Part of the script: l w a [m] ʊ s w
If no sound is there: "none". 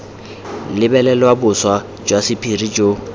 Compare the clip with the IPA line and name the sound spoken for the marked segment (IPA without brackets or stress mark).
b